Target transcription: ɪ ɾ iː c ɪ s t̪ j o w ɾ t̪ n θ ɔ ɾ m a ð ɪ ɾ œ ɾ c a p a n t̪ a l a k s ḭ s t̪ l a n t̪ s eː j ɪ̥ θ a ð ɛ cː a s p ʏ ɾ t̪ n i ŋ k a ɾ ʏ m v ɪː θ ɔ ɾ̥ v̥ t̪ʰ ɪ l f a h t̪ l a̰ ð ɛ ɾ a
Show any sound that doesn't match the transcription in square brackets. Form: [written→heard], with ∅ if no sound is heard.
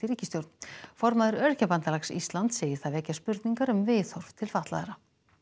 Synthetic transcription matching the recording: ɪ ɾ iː c ɪ s t̪ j o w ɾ t̪ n [θ→f] ɔ ɾ m a ð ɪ ɾ œ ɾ c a p a n t̪ a l a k s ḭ s t̪ l a n t̪ s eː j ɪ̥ θ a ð ɛ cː a s p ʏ ɾ t̪ n i ŋ k a ɾ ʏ m v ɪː θ ɔ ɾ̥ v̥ t̪ʰ ɪ l f a h t̪ l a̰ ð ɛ ɾ a